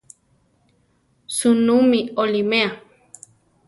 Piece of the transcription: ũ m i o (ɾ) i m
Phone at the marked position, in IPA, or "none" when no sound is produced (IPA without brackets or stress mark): l